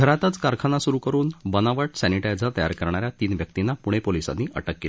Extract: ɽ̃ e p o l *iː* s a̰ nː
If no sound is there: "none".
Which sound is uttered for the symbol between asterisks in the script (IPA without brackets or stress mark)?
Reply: i